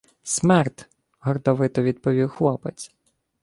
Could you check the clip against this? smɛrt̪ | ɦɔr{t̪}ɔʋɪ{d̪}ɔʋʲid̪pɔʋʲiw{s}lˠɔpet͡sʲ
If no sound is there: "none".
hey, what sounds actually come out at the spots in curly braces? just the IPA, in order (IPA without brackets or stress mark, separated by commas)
d̪, t̪, x